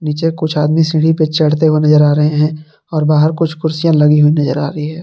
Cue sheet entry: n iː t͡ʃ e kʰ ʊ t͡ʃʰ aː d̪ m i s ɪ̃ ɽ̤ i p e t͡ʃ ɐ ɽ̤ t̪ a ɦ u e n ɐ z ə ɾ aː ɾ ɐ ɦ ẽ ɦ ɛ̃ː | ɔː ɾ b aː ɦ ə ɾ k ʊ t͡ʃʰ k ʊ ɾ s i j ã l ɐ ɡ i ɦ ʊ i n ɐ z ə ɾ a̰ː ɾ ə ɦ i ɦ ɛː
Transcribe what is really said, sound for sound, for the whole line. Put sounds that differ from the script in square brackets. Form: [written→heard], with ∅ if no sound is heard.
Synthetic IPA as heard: n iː t͡ʃ e [kʰ→k] ʊ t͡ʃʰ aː d̪ m i s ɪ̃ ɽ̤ i p e t͡ʃ ɐ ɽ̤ t̪ [a→e] ɦ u e n ɐ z ə ɾ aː ɾ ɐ ɦ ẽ ɦ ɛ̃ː | ɔː ɾ b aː ɦ ə ɾ k ʊ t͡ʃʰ k ʊ ɾ s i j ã l ɐ ɡ i ɦ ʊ i n ɐ z ə ɾ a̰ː ɾ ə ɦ i ɦ ɛː

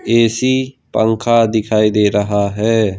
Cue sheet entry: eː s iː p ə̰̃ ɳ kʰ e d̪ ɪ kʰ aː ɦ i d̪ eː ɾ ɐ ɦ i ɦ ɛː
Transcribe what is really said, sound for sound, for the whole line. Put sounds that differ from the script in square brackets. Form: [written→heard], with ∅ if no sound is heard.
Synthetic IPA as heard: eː s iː p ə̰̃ [ɳ→ŋ] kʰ [e→a] d̪ ɪ kʰ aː [ɦ→∅] i d̪ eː ɾ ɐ ɦ [i→a] ɦ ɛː

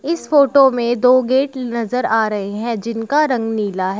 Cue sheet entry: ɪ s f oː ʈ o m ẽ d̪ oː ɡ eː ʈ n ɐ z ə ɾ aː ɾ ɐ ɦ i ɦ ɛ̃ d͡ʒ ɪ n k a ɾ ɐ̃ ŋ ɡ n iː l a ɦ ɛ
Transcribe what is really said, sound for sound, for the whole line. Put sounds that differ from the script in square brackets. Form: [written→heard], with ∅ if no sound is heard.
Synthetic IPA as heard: ɪ s f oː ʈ o m ẽ d̪ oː ɡ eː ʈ n ɐ z ə ɾ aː ɾ ɐ ɦ [i→e] ɦ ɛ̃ d͡ʒ ɪ n k a ɾ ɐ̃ ŋ ɡ n iː l a ɦ ɛ

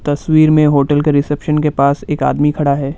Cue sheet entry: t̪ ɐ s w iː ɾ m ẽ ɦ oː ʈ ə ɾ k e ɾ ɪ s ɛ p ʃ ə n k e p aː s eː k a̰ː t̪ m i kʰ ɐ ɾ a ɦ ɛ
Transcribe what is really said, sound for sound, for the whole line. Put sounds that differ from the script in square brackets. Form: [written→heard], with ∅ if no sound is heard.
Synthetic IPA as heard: t̪ ɐ s w iː ɾ m ẽ ɦ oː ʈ ə [ɾ→l] k e ɾ ɪ s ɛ p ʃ ə n k e p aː s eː k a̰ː [t̪→d̪] m i kʰ ɐ [ɾ→ɽ] a ɦ [ɛ→ɛː]

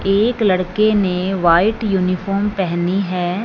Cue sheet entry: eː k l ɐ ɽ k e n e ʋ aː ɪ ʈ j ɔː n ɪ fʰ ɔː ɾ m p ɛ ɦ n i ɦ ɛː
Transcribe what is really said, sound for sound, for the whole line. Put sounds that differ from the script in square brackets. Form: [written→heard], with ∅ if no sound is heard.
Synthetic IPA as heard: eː k l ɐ ɽ k e n e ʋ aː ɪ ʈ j [ɔː→uː] n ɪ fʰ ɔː ɾ m p ɛ ɦ n i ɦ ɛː

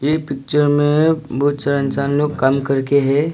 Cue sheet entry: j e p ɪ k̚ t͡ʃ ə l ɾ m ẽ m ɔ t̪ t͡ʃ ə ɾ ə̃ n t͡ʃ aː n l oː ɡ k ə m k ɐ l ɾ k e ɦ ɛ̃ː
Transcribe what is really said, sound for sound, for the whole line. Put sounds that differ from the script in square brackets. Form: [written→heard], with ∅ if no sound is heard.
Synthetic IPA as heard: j e p ɪ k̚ t͡ʃ ə [l→∅] ɾ m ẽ [m→b] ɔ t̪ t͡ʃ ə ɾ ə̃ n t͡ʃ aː n l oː ɡ k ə m k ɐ [l→∅] ɾ k e ɦ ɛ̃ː

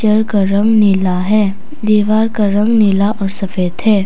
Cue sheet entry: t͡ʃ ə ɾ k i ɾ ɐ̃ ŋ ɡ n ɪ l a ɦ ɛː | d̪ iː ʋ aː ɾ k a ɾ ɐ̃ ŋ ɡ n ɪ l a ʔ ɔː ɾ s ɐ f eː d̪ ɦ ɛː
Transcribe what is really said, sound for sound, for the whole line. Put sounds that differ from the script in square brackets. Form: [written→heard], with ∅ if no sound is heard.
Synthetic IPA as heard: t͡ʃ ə ɾ k [i→a] ɾ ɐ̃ ŋ ɡ n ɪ l a ɦ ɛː | d̪ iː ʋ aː ɾ k a ɾ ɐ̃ ŋ ɡ n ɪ l a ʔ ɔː ɾ s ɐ f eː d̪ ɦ ɛː

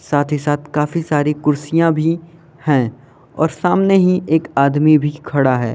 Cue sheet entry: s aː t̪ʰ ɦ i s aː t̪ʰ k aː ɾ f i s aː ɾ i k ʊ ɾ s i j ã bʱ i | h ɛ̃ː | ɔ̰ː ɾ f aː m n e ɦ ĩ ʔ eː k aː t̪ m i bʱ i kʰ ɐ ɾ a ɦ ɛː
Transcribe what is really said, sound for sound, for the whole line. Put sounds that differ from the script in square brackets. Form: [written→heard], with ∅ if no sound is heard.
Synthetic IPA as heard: s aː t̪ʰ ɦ i s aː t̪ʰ k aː [ɾ→∅] f i s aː ɾ i k ʊ ɾ s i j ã bʱ i | h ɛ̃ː | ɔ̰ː ɾ [f→s] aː m n e ɦ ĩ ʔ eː k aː [t̪→d̪] m i bʱ i kʰ ɐ [ɾ→ɽ] a ɦ ɛː

